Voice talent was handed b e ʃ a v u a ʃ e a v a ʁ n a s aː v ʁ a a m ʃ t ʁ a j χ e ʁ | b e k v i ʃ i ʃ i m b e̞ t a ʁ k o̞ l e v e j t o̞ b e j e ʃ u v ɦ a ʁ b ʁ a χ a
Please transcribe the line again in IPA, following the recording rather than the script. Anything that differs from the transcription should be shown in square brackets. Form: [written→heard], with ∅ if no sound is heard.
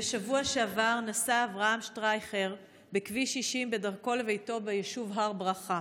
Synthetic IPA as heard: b e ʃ a v u a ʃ e a v a ʁ n a s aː v ʁ a a m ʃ t ʁ a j χ e ʁ | b e k v i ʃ i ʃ i m b e̞ [t→d] a ʁ k o̞ l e v e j t o̞ b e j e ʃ u v ɦ a ʁ b ʁ a χ a